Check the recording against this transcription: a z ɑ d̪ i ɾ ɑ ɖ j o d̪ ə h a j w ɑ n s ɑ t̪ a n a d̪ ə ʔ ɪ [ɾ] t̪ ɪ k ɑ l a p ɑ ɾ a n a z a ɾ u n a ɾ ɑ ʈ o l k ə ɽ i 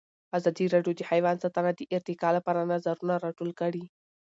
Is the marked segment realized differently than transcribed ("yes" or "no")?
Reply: no